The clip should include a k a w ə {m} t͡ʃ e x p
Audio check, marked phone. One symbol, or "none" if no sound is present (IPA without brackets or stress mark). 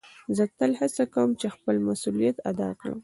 m